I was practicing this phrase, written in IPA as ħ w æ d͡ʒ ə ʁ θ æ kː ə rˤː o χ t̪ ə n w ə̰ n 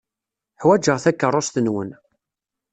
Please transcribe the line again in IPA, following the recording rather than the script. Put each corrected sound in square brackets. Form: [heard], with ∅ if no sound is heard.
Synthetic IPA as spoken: ħ w æ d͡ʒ ə ʁ θ æ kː ə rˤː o [s] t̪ ə n w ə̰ n